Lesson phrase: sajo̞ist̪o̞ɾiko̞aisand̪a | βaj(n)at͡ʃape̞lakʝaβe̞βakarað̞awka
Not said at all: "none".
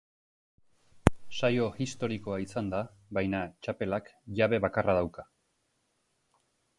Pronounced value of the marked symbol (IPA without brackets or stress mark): n